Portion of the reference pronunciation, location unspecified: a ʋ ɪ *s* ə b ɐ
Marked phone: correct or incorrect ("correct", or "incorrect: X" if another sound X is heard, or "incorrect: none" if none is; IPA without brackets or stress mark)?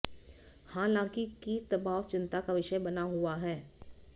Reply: incorrect: ʃ